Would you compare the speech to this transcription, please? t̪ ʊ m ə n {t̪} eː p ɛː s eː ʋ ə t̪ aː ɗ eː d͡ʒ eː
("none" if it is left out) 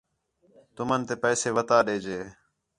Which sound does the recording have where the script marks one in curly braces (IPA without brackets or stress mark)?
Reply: t̪